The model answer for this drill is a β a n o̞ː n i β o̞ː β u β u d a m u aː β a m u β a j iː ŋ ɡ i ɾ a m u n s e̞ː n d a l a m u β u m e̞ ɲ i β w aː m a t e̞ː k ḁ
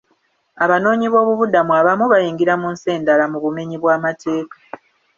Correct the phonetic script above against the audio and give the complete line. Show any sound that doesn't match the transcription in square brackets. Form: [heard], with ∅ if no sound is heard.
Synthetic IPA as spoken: a β a n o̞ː [ɲ] i β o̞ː β u β u d a m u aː β a m u β a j iː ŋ ɡ i ɾ a m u n s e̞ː n d a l a m u β u m e̞ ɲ i β w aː m a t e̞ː k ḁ